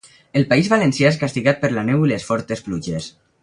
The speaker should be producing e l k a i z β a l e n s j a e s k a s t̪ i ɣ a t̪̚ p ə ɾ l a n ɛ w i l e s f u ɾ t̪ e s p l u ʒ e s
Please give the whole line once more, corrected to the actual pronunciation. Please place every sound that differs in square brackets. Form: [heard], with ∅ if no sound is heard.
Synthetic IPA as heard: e l [p] a i z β a l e n s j a e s k a s t̪ i ɣ a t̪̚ p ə ɾ l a n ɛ w i l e s f [ɔ] ɾ t̪ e s p l u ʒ e s